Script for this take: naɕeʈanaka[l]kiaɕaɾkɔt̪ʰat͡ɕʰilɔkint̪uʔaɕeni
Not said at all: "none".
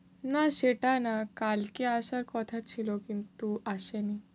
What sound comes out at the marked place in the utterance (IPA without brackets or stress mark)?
l